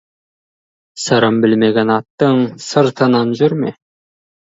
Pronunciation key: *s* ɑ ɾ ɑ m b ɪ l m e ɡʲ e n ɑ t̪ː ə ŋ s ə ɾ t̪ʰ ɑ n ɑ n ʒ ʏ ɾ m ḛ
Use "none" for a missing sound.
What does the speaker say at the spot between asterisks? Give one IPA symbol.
s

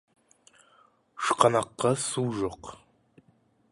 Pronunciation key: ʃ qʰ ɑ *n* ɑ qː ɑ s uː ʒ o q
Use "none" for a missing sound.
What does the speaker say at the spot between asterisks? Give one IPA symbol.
n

